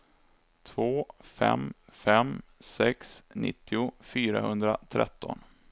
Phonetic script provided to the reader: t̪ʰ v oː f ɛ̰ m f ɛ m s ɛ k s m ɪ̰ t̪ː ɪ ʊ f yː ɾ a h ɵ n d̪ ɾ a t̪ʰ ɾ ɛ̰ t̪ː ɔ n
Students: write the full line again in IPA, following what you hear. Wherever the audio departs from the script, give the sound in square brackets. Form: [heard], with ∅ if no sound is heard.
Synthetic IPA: t̪ʰ v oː f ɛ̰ m f ɛ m s ɛ k s [n] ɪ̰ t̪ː ɪ ʊ f yː ɾ a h ɵ n d̪ ɾ a t̪ʰ ɾ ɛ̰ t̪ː ɔ n